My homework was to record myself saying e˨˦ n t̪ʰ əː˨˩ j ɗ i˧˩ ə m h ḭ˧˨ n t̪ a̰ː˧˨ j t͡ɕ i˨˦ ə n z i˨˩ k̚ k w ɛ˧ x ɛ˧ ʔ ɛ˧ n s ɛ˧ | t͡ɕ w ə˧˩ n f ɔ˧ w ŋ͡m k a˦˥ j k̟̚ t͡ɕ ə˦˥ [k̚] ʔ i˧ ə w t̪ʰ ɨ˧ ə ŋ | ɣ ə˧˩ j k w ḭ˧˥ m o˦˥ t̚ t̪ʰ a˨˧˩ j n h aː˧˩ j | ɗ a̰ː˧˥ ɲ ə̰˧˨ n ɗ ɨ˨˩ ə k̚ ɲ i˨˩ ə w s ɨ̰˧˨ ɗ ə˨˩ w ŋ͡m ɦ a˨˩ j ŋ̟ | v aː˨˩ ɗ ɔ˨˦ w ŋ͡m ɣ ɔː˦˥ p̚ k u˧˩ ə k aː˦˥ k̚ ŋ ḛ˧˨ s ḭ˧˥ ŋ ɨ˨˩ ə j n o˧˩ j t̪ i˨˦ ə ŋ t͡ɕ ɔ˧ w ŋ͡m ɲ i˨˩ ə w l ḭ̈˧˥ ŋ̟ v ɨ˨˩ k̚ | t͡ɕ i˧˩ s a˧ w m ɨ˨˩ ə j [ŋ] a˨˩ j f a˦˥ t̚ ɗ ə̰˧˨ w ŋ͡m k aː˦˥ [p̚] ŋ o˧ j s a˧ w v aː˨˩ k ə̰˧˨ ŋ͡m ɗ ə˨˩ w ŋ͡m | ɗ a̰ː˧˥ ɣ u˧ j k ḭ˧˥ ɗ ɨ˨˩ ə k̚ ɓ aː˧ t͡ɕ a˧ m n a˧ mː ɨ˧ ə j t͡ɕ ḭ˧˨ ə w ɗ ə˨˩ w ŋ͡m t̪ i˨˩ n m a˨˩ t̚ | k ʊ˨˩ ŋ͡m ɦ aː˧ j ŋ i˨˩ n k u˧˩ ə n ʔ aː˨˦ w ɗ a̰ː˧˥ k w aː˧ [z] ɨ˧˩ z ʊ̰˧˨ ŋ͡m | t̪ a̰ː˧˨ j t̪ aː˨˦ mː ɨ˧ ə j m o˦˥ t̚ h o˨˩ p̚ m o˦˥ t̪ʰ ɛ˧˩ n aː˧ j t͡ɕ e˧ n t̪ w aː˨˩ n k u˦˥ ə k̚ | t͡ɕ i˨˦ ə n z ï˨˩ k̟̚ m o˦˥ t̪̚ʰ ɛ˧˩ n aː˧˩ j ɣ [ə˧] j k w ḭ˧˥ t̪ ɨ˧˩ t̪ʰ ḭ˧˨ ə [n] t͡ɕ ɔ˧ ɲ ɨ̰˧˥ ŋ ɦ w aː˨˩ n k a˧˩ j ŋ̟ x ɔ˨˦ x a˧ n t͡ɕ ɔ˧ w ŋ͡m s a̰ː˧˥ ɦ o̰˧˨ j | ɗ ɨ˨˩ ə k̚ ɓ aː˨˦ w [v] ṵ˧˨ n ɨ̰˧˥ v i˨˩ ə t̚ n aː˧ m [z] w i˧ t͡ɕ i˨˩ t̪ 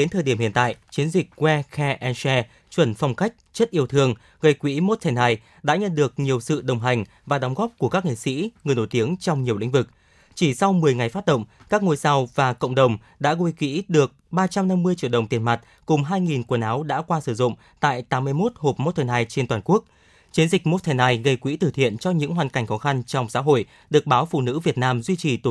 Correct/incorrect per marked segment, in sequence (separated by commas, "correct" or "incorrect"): incorrect, correct, incorrect, incorrect, correct, correct, incorrect, correct